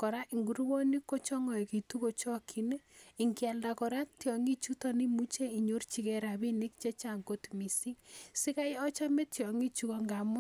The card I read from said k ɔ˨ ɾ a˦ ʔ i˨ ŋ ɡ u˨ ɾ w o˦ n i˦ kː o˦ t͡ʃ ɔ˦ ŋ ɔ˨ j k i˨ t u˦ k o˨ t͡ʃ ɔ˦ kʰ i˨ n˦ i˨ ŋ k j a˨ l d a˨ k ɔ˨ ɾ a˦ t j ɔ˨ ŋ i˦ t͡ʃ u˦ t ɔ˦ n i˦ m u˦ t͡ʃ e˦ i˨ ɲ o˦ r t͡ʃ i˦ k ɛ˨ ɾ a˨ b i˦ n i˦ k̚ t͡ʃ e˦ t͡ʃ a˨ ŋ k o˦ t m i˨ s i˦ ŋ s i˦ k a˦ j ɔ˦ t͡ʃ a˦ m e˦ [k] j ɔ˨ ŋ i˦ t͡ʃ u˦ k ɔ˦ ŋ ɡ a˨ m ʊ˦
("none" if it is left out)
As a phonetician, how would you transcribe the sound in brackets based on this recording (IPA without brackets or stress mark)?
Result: t